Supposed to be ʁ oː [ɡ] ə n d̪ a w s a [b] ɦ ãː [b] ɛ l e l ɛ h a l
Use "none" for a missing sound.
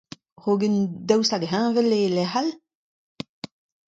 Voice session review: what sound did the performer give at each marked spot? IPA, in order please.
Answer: ɡ, ɡ, v

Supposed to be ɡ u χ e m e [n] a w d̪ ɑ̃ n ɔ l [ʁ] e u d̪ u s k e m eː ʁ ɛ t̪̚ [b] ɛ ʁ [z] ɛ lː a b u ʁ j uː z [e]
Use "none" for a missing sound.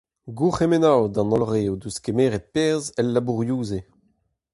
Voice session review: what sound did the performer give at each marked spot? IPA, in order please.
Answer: n, ʁ, p, z, e

